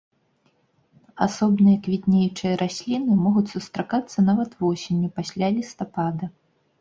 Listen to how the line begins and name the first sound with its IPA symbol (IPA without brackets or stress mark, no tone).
a